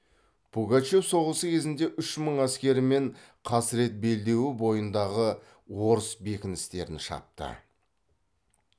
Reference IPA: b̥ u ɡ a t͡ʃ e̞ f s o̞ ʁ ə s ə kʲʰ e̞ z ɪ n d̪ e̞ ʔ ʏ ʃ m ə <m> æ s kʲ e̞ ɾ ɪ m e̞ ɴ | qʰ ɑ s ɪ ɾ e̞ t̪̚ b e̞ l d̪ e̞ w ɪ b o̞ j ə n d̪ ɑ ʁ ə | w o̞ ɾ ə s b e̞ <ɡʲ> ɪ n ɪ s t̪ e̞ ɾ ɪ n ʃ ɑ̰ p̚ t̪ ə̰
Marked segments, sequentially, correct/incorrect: incorrect: ɴ, incorrect: kʲ

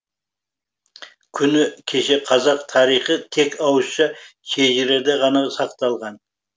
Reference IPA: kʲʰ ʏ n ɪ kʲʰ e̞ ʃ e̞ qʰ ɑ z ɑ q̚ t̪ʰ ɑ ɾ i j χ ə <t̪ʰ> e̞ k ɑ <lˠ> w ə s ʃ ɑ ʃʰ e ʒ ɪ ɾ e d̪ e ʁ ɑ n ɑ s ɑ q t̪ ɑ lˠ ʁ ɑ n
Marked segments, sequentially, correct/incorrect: correct, incorrect: none

